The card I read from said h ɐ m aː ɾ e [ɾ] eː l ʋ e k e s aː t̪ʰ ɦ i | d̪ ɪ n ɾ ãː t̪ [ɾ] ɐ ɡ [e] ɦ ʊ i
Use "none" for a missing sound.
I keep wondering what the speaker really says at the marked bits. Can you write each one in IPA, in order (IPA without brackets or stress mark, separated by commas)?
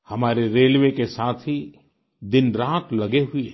ɾ, l, e